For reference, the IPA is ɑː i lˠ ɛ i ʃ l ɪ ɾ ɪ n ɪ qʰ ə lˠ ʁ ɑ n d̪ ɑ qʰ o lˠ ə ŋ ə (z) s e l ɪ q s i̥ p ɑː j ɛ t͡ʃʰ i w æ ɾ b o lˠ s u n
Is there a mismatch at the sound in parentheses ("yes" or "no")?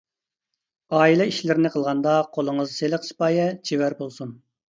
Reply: no